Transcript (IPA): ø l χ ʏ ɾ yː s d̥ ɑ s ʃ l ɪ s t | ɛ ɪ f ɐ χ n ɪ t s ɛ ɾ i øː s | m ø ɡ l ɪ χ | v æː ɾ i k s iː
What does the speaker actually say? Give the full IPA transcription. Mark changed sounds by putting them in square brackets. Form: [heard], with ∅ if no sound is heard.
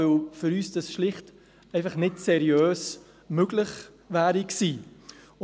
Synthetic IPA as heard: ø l [f] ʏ ɾ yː s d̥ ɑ s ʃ l ɪ [χ] t | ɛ ɪ f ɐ χ n ɪ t s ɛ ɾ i øː s | m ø ɡ l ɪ χ | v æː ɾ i k s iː